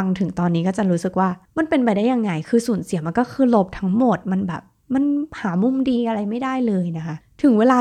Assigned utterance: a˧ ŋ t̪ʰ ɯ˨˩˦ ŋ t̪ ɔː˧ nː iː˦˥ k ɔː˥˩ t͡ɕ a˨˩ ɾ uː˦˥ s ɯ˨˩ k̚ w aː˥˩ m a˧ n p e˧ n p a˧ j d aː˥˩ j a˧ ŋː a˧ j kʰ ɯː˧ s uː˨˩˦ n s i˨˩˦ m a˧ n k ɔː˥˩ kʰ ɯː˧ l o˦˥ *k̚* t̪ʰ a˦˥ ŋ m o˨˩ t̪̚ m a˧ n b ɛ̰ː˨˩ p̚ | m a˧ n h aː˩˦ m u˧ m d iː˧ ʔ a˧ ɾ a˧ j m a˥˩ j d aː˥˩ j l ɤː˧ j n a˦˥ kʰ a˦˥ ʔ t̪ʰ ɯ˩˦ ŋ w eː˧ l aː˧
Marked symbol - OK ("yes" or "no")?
no